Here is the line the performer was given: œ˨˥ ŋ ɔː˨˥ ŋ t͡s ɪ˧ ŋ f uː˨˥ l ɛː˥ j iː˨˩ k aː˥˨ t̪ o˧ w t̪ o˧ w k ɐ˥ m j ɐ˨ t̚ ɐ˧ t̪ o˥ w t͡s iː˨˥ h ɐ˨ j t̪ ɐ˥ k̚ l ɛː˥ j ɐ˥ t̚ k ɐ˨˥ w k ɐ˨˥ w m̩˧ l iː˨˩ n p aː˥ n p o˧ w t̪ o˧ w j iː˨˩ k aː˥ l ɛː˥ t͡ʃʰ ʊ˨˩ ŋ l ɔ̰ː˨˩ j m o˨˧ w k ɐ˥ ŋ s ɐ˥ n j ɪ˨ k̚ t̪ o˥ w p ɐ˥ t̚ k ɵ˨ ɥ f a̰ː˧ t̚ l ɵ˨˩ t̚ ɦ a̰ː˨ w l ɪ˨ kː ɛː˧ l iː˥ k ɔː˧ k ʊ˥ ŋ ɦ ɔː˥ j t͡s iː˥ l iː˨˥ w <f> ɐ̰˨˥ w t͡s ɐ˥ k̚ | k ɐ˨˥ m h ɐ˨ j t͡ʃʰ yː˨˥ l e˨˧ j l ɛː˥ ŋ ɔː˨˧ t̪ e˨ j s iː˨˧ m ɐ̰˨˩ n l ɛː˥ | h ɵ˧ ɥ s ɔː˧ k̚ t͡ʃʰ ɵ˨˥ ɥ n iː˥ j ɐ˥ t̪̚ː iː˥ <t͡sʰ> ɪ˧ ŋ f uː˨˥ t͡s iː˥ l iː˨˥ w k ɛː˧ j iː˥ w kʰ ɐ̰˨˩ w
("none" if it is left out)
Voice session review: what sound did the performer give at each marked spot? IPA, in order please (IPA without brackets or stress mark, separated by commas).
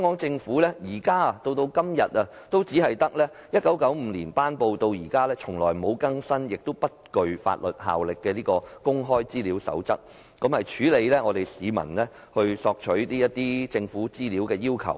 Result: s, t͡s